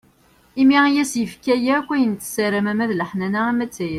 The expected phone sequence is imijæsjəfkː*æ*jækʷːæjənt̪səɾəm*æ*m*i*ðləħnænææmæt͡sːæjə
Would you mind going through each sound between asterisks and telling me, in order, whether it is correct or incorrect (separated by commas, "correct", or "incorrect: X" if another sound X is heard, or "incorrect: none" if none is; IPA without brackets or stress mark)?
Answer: correct, correct, incorrect: æ